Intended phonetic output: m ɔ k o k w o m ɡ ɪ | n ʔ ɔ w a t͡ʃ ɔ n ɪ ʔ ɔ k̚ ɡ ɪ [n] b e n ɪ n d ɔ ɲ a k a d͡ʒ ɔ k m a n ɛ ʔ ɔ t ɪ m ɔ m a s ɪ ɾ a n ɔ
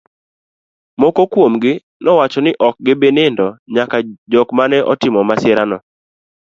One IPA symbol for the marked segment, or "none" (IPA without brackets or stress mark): none